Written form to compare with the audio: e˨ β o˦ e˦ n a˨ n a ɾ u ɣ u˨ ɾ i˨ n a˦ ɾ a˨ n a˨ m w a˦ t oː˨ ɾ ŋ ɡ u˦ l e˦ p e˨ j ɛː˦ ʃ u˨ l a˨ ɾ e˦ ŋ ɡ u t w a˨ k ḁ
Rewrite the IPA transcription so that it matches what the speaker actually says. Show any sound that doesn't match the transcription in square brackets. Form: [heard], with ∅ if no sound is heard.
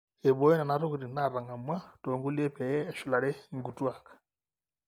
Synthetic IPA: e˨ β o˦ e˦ n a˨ n a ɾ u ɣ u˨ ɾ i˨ n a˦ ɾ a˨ [ŋ] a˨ m w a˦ t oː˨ [∅] ŋ ɡ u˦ l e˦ p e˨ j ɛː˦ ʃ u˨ l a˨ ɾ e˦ ŋ ɡ u t w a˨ k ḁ